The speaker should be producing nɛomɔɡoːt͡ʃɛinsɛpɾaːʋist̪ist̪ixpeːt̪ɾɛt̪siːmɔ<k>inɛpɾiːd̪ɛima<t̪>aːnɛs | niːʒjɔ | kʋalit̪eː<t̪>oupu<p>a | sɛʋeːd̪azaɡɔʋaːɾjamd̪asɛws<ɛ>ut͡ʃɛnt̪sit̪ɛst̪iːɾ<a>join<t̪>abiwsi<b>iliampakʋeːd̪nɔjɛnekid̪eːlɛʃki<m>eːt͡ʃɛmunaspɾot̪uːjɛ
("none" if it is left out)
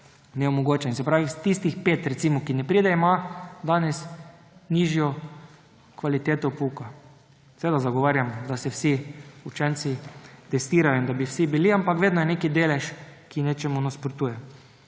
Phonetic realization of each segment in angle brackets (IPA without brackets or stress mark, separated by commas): k, d̪, t̪, k, i, a, d̪, b, n